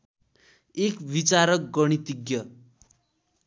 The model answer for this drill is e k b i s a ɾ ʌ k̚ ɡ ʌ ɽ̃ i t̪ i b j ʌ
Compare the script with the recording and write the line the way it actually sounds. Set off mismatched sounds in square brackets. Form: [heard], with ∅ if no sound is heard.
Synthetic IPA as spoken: e k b i [t͡s] a ɾ ʌ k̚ ɡ ʌ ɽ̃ i t̪ i [ɡ] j ʌ